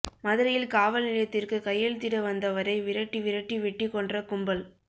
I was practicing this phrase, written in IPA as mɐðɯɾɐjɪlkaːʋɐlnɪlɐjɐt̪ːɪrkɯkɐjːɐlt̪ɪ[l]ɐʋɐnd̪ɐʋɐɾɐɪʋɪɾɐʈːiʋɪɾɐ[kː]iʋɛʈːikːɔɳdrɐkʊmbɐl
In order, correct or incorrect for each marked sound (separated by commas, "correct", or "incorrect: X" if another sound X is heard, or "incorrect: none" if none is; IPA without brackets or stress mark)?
incorrect: ɽ, incorrect: ʈː